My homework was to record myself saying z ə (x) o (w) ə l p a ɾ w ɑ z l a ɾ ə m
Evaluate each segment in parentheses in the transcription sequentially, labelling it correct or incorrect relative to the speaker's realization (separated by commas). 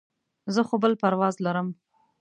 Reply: correct, incorrect